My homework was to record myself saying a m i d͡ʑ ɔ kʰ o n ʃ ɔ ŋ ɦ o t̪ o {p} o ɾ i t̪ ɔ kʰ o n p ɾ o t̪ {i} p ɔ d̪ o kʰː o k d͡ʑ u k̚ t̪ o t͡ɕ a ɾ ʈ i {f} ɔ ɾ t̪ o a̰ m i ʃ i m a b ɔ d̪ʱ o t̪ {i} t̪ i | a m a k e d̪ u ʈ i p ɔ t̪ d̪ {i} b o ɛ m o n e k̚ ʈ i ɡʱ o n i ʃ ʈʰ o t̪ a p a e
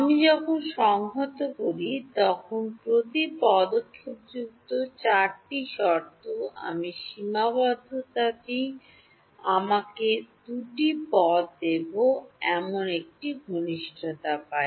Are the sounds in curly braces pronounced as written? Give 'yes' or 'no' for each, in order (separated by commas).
no, yes, no, no, no